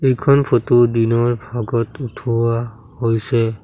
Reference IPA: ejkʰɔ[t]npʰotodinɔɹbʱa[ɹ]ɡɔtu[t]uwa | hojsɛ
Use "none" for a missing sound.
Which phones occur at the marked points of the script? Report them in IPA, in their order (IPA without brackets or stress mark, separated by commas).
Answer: none, none, tʰ